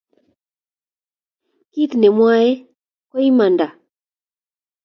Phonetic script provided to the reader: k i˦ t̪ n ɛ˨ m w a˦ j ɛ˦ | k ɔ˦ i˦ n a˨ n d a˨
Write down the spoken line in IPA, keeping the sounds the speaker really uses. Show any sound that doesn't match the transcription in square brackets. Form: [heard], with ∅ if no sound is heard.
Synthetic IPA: k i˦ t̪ n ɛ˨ m w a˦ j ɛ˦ | k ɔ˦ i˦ [m] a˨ n d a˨